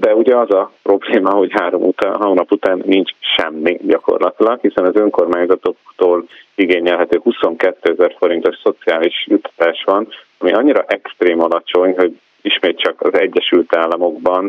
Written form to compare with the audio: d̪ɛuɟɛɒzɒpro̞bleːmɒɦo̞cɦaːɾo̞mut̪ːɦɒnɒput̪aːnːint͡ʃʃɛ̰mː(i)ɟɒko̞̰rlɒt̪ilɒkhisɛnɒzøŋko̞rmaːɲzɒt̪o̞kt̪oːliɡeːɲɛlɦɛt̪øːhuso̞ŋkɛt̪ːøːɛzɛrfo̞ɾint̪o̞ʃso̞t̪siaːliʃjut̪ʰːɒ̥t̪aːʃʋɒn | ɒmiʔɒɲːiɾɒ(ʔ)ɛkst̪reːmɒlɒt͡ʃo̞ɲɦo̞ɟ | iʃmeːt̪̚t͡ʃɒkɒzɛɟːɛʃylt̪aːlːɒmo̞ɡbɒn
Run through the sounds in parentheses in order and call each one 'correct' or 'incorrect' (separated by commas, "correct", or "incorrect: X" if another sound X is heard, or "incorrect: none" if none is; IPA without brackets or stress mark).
correct, correct